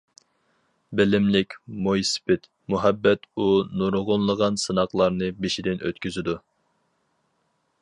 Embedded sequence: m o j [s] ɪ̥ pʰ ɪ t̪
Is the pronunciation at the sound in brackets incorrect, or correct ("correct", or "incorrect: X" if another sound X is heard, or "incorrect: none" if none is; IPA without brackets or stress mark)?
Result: correct